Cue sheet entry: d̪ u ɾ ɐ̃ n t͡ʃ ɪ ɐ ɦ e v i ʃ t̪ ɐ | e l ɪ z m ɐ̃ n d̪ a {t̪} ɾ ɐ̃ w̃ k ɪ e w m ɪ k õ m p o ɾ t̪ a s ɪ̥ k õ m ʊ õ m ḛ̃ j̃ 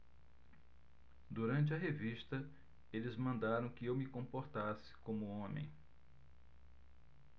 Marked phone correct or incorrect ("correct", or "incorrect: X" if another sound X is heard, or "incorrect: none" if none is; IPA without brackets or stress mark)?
incorrect: none